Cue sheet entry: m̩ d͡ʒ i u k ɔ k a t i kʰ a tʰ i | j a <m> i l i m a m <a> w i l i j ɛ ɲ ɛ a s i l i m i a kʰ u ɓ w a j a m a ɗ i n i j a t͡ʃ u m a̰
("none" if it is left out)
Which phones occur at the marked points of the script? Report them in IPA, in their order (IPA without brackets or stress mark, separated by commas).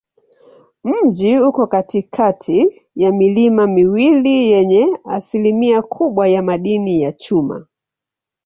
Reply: m, i